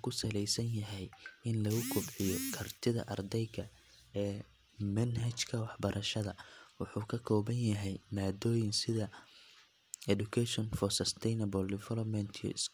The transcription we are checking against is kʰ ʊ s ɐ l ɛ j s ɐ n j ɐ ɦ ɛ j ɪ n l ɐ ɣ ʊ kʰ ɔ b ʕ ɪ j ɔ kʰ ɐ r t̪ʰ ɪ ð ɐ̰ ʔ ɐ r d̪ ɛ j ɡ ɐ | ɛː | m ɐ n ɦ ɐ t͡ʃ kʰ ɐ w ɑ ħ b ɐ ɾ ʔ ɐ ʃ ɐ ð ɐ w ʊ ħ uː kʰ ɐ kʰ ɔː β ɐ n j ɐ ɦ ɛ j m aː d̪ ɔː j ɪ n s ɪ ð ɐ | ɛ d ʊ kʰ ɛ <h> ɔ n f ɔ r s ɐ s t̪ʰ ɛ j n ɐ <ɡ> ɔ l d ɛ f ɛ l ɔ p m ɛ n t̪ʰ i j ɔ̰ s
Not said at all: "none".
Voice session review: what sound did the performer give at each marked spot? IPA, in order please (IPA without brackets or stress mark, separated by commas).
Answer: ʃ, b